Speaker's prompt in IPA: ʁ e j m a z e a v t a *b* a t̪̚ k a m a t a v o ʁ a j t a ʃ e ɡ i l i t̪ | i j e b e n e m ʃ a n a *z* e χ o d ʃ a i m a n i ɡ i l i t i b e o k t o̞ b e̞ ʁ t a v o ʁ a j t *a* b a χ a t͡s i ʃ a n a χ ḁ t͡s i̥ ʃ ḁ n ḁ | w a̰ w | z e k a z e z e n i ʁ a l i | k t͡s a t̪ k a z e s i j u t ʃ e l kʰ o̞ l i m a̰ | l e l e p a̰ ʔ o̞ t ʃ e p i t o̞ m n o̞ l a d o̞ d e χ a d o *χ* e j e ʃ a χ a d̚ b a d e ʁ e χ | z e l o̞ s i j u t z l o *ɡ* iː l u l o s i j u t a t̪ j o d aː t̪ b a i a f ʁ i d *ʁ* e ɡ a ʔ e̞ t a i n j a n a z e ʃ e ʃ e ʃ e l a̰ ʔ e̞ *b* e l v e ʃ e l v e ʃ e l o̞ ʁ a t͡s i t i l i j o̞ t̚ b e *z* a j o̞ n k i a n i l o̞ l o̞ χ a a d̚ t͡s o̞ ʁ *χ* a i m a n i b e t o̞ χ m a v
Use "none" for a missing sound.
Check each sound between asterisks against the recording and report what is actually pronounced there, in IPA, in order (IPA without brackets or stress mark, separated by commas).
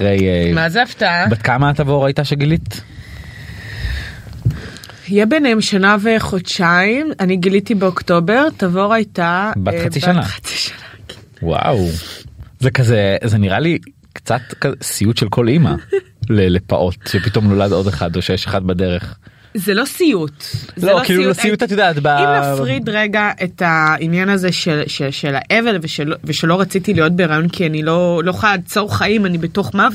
b, v, a, ʃ, k, ʁ, v, ʁ, χ